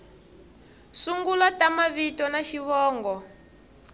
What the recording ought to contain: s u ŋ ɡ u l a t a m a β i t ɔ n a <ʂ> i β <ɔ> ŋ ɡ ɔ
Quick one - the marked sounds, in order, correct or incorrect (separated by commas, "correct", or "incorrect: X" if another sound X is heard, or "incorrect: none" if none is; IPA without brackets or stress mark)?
incorrect: ʃ, incorrect: ɔː